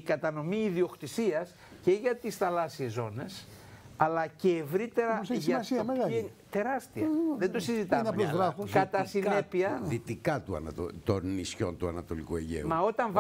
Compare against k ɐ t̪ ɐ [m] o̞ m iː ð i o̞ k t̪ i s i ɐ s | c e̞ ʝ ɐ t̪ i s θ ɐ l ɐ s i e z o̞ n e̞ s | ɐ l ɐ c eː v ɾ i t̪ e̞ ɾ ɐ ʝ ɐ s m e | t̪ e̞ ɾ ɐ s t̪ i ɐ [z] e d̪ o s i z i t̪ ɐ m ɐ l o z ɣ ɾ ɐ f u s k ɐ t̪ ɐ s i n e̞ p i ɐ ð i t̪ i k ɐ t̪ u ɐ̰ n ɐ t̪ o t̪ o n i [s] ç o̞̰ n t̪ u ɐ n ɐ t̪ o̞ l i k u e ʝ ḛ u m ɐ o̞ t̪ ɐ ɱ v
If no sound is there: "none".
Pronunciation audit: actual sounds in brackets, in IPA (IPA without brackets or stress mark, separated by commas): n, ð, s